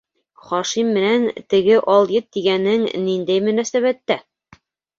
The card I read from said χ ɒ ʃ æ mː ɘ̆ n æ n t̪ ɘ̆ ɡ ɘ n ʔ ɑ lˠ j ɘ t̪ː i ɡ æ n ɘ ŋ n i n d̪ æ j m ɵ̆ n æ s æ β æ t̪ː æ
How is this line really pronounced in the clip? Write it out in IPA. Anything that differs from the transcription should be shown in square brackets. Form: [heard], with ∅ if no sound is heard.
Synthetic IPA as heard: χ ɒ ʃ [i] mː ɘ̆ n æ n t̪ ɘ̆ ɡ ɘ [∅] ʔ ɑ lˠ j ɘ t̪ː i ɡ æ n ɘ ŋ n i n d̪ æ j m ɵ̆ n æ s æ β æ t̪ː æ